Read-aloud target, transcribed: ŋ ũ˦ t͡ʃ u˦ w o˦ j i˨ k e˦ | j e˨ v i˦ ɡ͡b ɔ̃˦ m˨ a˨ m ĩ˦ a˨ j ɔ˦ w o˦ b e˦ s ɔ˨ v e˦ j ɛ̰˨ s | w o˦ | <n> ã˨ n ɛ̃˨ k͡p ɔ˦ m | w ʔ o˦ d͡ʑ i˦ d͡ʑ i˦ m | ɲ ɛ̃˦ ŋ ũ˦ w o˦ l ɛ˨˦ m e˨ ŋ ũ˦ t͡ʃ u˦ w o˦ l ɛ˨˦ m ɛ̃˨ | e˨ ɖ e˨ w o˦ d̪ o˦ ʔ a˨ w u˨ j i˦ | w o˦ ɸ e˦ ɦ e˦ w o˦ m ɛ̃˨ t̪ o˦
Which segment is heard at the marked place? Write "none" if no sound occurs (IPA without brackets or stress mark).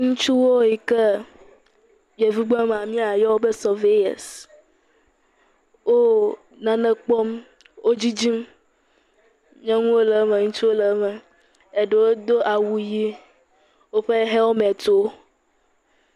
n